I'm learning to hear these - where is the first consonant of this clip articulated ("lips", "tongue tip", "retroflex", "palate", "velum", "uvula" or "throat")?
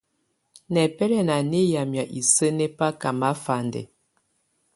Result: tongue tip